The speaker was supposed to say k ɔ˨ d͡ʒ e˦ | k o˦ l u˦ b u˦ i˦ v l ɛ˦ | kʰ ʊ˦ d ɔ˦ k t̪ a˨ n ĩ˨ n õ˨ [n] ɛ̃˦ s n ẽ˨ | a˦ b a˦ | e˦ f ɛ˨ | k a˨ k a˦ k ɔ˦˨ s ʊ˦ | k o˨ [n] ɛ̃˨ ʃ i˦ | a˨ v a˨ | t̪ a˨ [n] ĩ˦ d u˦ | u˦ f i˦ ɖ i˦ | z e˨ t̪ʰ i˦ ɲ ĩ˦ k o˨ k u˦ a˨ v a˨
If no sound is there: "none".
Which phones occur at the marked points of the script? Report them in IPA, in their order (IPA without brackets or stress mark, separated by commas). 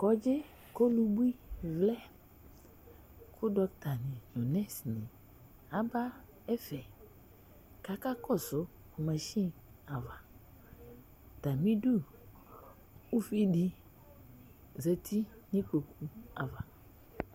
n, m, m